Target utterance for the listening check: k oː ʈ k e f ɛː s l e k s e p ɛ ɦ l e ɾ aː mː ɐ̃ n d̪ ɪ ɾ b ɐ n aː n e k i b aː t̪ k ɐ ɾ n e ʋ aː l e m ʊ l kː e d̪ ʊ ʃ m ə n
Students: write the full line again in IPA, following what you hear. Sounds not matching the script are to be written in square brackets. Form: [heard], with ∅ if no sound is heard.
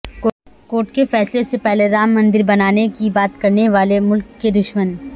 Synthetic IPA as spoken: k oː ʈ k e f ɛː s l e [∅] s e p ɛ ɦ l e ɾ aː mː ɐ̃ n d̪ ɪ ɾ b ɐ n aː n e k i b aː t̪ k ɐ ɾ n e ʋ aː l e m ʊ l kː e d̪ ʊ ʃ m ə n